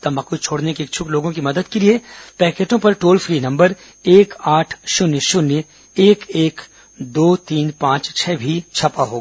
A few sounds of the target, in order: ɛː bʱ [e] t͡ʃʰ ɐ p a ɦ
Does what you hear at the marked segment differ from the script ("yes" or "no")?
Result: yes